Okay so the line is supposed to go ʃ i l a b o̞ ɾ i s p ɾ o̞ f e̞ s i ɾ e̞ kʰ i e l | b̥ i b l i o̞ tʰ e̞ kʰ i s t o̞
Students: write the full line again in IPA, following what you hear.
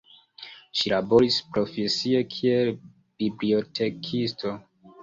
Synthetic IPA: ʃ i l a b o̞ ɾ i s p ɾ o̞ f e̞ s i e̞ kʰ i e l | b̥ i b l i o̞ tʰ e̞ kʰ i s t o̞